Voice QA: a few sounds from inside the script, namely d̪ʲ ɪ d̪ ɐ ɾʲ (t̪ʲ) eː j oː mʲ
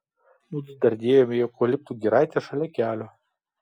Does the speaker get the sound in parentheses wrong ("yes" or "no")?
yes